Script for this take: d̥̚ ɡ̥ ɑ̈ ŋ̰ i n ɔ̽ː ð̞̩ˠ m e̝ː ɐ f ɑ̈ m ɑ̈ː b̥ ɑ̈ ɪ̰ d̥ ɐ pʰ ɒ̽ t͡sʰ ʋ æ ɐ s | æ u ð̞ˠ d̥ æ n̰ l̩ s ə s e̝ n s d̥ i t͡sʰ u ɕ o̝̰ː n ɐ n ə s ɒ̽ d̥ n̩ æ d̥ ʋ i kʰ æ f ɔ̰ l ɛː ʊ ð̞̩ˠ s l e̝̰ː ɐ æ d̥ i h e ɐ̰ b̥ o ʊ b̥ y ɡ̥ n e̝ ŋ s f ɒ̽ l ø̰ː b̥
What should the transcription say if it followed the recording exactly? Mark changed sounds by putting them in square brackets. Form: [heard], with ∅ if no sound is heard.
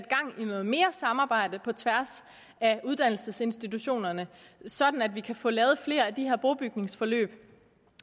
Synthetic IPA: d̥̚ ɡ̥ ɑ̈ ŋ̰ i n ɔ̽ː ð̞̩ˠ m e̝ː ɐ [s] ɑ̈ m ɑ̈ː b̥ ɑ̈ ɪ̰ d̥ [ə] pʰ ɒ̽ t͡sʰ ʋ æ ɐ s | æ u ð̞ˠ d̥ æ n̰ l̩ s ə s e̝ n s d̥ i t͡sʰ u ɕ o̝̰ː n ɐ n ə s ɒ̽ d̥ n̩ æ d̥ ʋ i kʰ æ f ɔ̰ l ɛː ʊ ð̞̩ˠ [f] l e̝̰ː ɐ æ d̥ i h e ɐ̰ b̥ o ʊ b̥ y ɡ̥ n e̝ ŋ s f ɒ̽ l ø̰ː b̥